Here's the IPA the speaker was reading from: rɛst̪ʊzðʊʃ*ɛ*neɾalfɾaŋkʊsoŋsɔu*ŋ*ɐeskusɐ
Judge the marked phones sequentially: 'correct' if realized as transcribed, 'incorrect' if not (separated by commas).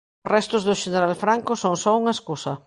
incorrect, correct